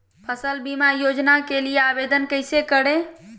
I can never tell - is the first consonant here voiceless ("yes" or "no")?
yes